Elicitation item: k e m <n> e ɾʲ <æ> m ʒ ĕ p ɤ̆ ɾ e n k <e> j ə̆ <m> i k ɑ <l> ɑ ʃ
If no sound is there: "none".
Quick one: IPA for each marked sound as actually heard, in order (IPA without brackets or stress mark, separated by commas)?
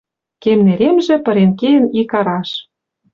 n, e, e, n, ɾ